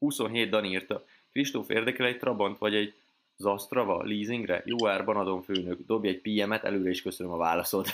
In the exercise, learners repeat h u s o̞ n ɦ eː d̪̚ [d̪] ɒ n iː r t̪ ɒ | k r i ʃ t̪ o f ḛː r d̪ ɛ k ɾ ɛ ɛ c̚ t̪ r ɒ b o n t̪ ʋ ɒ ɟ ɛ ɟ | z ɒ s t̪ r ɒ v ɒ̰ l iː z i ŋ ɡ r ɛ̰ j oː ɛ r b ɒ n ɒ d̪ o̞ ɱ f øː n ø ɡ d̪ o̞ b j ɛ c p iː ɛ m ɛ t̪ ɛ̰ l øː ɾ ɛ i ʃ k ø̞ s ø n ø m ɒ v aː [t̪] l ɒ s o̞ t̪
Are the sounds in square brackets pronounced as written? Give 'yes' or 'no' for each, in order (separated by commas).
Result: yes, no